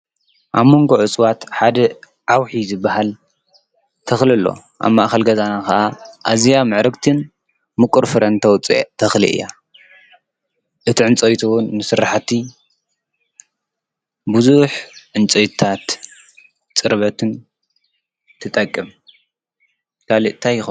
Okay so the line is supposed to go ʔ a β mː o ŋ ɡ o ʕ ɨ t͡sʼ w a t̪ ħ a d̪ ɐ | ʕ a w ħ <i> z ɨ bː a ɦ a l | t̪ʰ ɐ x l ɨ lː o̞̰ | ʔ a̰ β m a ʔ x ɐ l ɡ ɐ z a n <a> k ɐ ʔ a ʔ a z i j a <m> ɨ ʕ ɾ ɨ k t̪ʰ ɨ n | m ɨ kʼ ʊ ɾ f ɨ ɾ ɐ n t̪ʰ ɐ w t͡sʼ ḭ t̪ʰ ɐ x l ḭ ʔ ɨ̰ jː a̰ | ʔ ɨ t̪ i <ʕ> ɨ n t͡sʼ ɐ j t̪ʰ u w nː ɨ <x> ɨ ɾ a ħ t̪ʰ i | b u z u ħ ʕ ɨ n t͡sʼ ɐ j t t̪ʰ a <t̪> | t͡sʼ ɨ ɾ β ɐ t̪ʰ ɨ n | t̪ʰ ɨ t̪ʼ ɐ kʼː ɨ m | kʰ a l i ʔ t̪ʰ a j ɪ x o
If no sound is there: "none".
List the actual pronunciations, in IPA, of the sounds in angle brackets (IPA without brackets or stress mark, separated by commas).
i, a, m, ʕ, s, t̪